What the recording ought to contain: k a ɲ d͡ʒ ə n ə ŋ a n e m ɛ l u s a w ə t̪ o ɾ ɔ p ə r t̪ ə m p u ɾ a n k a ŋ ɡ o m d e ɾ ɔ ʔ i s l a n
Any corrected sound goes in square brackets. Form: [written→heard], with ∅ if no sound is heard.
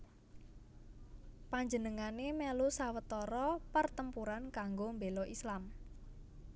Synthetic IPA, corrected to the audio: [k→p] a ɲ d͡ʒ ə n ə ŋ a n e m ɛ l u s a w ə t̪ [o→ɔ] ɾ ɔ p ə r t̪ ə m p u ɾ a n k a ŋ ɡ o m [d→b] e [ɾ→l] ɔ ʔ i s l a [n→m]

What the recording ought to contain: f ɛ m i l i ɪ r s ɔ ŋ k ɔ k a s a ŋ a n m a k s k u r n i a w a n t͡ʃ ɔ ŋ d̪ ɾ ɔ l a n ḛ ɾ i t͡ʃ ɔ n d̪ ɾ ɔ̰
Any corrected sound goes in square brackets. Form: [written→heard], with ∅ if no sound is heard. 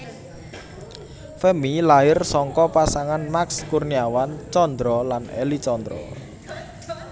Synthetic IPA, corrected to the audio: f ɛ m i l [i→a] ɪ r s ɔ ŋ k ɔ [k→p] a s a ŋ a n m a k s k u r n i a w a n t͡ʃ ɔ [ŋ→n] d̪ ɾ ɔ l a n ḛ [ɾ→l] i t͡ʃ ɔ n d̪ ɾ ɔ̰

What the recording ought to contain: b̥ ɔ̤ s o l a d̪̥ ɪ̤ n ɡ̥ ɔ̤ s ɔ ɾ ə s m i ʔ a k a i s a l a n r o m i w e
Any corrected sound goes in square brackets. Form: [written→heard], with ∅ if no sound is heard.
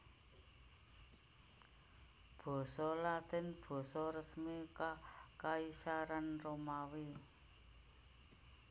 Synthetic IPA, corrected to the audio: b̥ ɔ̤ s [o→ɔ] l a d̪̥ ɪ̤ n [ɡ̥→b̥] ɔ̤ s ɔ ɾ ə s m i [ʔ→k] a k a i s a [l→ɾ] a n r o m [i→a] w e

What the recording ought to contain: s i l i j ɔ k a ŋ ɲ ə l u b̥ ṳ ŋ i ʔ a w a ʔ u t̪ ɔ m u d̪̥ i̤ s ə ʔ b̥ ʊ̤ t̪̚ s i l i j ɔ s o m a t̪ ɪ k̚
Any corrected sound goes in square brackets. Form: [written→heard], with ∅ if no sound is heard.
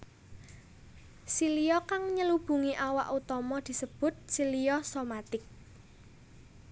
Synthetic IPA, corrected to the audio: s i l i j ɔ k a ŋ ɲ ə l u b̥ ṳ ŋ i ʔ a w a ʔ u t̪ ɔ m [u→ɔ] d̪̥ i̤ s ə [ʔ→∅] b̥ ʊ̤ t̪̚ s i l i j ɔ s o m a t̪ ɪ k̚

